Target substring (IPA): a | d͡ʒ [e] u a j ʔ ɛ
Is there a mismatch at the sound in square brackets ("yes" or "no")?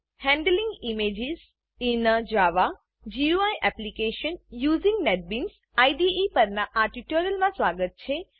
yes